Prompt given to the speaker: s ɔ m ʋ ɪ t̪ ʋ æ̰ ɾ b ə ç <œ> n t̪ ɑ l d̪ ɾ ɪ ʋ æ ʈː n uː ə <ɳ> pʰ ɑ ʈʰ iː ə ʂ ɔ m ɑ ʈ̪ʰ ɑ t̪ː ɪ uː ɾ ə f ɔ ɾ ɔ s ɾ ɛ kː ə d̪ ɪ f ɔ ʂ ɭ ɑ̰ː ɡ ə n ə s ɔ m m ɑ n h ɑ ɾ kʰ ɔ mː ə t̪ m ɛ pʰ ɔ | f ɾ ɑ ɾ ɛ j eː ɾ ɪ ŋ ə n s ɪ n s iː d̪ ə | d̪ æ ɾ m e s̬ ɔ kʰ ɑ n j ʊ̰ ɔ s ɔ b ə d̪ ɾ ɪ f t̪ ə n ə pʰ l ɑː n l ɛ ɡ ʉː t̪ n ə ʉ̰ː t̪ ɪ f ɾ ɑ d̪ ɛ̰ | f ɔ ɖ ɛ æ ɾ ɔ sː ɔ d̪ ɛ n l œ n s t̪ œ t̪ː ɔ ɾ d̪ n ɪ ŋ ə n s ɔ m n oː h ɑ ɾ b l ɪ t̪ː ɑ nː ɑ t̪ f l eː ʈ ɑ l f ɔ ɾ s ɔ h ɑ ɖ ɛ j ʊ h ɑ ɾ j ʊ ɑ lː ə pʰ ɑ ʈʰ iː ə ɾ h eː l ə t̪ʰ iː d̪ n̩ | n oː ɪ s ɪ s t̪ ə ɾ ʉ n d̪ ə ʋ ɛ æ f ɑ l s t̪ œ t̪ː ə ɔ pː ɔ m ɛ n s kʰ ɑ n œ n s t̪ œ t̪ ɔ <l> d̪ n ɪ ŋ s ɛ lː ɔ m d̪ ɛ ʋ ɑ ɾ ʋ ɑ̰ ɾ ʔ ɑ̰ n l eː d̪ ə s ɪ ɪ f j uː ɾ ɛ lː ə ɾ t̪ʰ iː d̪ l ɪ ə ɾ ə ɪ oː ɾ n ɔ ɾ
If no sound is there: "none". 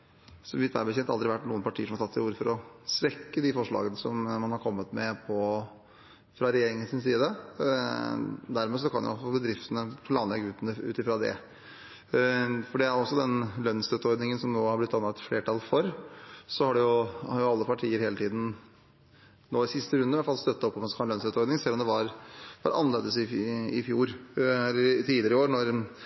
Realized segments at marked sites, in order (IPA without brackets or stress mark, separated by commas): ɛ, n, ɾ